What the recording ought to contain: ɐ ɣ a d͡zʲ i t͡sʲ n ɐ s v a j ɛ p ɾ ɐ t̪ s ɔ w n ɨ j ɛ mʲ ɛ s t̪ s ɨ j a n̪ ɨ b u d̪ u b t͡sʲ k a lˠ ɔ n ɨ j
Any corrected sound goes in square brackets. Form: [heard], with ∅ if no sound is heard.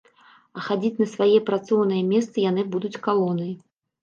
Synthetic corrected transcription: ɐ [x] a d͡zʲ i t͡sʲ n ɐ s v a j ɛ p ɾ [a] t̪ s ɔ w n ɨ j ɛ mʲ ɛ s t̪ s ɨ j a n̪ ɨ b u d̪ u [∅] t͡sʲ k a lˠ ɔ n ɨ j